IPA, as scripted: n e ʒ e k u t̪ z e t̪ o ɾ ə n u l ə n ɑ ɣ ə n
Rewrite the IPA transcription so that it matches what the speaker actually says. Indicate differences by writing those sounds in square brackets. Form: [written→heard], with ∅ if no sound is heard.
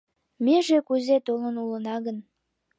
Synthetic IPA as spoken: [n→m] e ʒ e k u [t̪→∅] z e t̪ o [ɾ→l] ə n u l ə n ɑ ɣ ə n